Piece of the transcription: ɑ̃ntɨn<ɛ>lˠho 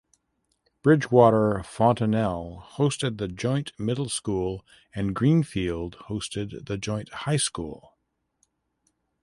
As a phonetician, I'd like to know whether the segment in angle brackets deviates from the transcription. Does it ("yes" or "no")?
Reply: no